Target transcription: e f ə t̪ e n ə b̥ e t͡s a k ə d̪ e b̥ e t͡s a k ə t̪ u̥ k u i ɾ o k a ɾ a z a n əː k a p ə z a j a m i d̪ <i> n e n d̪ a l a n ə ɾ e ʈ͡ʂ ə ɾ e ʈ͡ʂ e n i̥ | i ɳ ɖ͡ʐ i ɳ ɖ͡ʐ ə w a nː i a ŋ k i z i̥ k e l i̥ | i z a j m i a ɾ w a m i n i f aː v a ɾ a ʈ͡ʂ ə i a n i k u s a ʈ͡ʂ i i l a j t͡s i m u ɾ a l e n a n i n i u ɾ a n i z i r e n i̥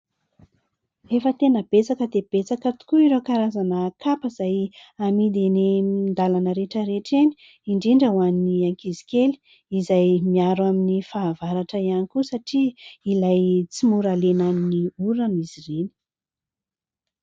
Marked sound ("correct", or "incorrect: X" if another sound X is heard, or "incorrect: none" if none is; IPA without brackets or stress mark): incorrect: e